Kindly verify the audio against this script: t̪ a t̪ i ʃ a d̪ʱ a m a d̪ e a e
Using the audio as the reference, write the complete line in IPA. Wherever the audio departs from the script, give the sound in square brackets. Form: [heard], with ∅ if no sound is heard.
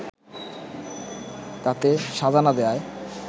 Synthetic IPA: t̪ a t̪ [e] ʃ a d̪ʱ a [n] a d̪ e a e